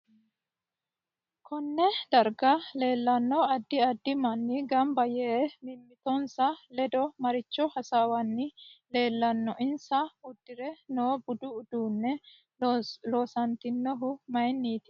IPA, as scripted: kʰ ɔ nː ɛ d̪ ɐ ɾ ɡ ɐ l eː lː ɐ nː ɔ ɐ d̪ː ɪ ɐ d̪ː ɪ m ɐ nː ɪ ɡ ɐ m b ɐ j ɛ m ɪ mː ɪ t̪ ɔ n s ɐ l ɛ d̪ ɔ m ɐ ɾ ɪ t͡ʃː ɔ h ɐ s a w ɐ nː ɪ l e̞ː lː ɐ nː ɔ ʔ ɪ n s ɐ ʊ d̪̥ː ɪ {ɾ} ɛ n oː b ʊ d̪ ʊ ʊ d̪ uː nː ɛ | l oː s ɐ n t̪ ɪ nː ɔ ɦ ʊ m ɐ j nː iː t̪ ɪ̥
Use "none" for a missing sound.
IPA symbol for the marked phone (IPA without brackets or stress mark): ɾ